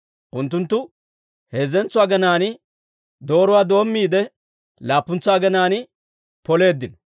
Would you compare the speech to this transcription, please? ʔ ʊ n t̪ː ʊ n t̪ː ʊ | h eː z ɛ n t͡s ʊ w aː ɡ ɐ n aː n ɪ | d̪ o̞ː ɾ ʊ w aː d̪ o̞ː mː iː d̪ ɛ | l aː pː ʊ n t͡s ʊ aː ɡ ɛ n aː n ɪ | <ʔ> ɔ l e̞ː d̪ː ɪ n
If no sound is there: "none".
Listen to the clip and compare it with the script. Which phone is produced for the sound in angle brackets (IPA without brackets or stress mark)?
p